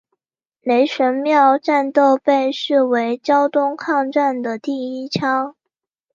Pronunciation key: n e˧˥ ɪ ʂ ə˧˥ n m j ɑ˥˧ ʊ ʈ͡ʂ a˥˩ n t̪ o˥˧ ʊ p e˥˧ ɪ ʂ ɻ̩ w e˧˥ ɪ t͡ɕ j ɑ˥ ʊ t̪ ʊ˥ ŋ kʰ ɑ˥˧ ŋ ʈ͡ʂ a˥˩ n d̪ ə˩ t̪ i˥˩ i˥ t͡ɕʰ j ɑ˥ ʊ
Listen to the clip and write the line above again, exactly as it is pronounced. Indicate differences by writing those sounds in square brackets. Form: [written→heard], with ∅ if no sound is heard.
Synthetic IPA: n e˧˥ ɪ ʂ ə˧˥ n m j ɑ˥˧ ʊ ʈ͡ʂ [a˥˩→a˥˧] n t̪ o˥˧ ʊ p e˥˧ ɪ ʂ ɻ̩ w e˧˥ ɪ t͡ɕ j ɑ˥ ʊ t̪ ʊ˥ ŋ kʰ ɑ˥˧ ŋ ʈ͡ʂ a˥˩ n d̪ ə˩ t̪ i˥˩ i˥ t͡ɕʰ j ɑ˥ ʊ